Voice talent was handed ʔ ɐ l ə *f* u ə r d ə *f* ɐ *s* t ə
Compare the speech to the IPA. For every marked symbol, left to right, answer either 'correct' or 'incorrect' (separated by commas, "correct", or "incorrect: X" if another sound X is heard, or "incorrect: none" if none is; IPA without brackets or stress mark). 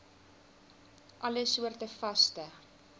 incorrect: s, correct, correct